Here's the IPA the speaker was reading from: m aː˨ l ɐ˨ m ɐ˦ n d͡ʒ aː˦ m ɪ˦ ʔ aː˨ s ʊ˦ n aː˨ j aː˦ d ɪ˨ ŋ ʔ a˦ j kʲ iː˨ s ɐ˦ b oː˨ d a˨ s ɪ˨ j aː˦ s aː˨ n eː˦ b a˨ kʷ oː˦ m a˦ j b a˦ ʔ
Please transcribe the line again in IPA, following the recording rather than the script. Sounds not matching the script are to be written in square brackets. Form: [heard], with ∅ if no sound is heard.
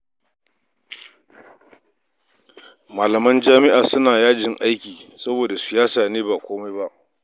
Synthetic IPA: m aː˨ l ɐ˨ m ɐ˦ n d͡ʒ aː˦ m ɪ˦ ʔ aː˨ s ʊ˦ n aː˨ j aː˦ [d͡ʒ] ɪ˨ ŋ ʔ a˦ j kʲ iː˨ s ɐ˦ b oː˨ d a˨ s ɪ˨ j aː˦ s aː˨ n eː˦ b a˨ kʷ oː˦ m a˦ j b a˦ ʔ